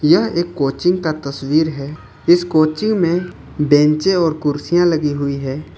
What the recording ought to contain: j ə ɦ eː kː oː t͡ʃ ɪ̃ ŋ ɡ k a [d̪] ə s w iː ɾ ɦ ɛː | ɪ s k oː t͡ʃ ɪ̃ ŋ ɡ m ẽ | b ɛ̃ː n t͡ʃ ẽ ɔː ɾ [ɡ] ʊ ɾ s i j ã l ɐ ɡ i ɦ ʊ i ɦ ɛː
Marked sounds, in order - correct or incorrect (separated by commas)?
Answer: incorrect, incorrect